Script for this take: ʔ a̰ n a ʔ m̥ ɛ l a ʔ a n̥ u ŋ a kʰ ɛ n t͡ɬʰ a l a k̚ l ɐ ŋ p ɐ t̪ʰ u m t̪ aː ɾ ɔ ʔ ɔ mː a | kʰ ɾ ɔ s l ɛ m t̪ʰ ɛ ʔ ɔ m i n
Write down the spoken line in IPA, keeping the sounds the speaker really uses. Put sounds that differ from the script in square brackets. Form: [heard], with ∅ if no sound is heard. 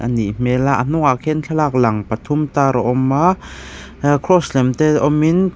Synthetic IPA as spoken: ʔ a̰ n [i] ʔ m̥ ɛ l a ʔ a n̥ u ŋ a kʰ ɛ n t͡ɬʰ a l a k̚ l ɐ ŋ p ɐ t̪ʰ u m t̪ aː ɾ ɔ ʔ ɔ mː a | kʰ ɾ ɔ s l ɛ m [t̪] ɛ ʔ ɔ m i n